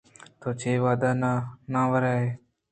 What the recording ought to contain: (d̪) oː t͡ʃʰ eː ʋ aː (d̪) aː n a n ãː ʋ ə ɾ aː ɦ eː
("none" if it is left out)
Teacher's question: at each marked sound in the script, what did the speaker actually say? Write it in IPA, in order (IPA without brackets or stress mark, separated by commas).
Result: t̪, d̪